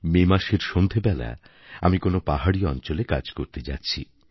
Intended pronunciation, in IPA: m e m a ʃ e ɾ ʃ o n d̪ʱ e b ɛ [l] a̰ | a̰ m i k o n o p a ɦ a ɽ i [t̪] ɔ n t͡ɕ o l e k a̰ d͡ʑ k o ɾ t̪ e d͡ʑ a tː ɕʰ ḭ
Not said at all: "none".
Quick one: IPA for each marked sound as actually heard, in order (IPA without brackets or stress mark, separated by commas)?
l, none